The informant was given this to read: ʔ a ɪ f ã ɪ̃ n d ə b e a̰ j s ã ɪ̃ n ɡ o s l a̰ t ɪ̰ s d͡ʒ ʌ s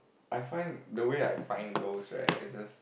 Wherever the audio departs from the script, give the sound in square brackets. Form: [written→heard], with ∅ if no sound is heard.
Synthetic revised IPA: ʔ a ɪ f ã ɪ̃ n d ə [b→w] e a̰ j [s→f] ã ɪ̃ n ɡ o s [l→ɹ] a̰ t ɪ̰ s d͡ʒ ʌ s